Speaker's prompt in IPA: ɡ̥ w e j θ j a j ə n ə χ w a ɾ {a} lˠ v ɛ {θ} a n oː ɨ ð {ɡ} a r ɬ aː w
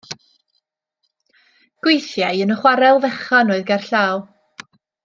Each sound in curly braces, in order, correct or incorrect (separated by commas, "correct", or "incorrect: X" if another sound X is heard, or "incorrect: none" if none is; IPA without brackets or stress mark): incorrect: ɛ, incorrect: χ, correct